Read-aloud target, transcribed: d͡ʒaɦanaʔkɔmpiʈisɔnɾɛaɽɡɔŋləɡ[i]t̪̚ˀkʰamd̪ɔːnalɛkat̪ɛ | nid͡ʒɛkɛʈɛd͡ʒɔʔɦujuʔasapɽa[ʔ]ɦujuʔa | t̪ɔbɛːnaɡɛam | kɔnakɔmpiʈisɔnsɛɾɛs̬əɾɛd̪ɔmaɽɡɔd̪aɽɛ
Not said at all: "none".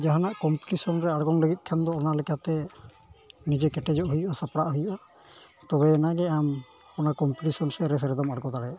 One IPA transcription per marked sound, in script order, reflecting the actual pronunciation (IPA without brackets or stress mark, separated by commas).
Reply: i, ʔ